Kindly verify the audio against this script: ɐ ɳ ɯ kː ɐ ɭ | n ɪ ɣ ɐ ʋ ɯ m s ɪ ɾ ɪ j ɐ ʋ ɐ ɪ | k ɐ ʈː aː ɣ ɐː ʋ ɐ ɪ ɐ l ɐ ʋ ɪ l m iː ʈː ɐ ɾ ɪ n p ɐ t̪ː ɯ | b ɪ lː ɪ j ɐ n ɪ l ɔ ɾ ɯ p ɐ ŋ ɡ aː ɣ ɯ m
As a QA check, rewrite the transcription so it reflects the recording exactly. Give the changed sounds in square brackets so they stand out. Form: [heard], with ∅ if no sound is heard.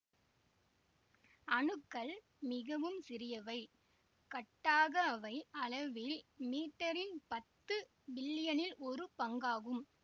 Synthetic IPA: ɐ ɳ ɯ kː ɐ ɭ | [m] ɪ ɣ ɐ ʋ ɯ m s ɪ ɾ ɪ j ɐ ʋ ɐ ɪ | k ɐ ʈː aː ɣ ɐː ʋ ɐ ɪ ɐ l ɐ ʋ ɪ l m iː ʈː ɐ ɾ ɪ n p ɐ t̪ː ɯ | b ɪ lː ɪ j ɐ n ɪ l ɔ ɾ ɯ p ɐ ŋ ɡ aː ɣ ɯ m